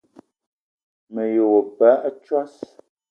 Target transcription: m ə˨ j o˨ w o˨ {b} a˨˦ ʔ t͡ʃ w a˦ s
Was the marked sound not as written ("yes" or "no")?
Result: yes